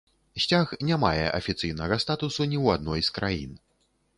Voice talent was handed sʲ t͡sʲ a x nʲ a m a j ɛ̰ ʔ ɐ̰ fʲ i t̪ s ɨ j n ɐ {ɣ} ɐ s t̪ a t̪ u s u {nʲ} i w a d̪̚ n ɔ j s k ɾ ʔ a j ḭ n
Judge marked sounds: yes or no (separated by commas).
yes, yes